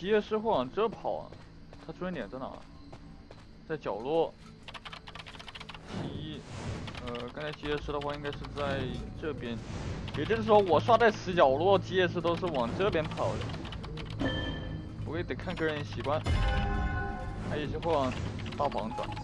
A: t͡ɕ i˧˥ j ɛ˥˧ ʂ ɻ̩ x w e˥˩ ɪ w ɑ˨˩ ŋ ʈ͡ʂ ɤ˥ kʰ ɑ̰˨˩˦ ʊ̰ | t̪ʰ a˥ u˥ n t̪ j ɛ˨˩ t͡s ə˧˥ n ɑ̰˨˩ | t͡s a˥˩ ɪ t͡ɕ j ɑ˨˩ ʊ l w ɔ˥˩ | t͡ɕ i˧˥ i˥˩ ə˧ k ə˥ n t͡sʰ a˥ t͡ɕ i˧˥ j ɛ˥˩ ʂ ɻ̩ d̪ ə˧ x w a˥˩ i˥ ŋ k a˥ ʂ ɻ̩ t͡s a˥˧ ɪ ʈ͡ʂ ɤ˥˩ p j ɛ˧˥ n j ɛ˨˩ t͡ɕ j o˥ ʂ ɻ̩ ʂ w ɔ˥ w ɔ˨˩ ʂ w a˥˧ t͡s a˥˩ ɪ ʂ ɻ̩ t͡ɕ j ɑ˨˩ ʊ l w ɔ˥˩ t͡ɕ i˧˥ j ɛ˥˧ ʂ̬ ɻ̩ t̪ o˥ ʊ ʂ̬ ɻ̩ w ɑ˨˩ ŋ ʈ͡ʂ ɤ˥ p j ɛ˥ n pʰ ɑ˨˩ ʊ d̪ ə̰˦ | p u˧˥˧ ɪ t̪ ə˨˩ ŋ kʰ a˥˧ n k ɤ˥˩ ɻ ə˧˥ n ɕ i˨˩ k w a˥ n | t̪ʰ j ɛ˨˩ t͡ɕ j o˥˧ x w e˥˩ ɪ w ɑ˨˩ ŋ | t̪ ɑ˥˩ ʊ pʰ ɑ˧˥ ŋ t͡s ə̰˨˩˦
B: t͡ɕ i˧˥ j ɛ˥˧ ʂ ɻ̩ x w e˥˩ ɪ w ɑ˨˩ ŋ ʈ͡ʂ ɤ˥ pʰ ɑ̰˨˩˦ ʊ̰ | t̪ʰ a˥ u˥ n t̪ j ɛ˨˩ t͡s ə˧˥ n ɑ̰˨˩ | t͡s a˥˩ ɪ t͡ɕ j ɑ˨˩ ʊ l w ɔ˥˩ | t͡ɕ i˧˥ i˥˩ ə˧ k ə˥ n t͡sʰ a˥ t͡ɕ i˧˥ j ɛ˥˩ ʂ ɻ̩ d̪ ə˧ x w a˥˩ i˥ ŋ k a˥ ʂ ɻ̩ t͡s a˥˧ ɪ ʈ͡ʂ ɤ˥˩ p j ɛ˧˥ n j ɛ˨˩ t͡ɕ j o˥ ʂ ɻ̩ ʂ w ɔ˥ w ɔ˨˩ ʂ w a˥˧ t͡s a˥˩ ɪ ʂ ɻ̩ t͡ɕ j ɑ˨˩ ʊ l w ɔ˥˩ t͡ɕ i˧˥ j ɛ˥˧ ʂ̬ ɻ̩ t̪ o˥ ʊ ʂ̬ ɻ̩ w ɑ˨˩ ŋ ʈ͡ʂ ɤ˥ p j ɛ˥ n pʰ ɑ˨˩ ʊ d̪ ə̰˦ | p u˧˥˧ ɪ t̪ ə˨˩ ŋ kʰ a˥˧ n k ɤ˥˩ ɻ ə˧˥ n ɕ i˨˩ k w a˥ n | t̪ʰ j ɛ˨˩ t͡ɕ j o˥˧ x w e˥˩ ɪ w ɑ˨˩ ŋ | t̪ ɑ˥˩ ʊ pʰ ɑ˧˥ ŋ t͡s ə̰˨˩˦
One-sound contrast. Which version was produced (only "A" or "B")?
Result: B